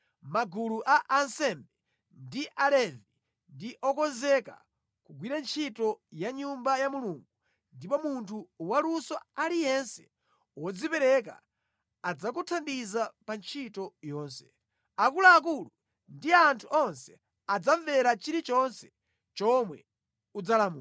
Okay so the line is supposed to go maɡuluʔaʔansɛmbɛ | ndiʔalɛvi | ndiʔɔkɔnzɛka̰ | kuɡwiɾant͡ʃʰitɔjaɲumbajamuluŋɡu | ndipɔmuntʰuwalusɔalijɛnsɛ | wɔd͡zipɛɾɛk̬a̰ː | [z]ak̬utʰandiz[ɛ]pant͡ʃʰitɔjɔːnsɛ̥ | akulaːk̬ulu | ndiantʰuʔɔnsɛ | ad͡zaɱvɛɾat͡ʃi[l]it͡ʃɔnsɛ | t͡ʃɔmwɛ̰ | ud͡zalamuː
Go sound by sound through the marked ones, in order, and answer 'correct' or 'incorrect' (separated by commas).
incorrect, incorrect, incorrect